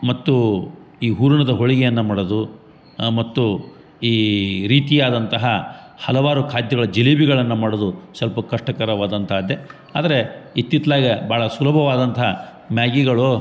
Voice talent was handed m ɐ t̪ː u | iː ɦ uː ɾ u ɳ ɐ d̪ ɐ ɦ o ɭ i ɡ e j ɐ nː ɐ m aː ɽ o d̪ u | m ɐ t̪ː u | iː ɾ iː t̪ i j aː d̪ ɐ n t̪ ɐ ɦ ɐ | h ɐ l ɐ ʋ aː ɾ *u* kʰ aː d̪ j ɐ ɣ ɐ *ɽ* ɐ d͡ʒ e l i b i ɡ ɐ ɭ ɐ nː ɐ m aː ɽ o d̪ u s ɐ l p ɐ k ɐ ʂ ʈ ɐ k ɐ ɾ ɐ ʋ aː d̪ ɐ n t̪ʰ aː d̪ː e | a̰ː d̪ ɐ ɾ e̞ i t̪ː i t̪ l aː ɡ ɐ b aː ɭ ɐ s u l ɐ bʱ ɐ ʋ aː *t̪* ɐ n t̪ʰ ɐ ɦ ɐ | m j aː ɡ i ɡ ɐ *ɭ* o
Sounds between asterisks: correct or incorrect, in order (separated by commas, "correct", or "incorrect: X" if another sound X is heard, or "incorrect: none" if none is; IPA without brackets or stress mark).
correct, incorrect: ɭ, incorrect: d̪, correct